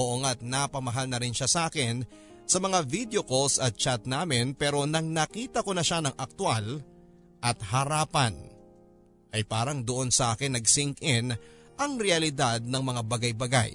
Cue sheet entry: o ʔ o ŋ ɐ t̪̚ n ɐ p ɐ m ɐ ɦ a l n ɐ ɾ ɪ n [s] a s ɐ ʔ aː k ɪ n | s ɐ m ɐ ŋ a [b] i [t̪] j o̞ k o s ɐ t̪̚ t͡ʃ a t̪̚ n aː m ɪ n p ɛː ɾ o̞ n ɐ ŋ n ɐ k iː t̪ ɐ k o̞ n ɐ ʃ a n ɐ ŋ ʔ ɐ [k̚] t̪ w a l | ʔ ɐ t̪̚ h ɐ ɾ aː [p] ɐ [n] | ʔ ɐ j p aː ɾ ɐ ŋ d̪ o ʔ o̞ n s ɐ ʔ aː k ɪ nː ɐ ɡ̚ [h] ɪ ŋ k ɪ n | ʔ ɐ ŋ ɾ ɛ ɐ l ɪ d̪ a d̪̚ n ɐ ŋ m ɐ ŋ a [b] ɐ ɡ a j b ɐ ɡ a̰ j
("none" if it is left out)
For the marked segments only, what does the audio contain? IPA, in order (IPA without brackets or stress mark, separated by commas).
ʃ, v, d̪, k̚, p, n, s, b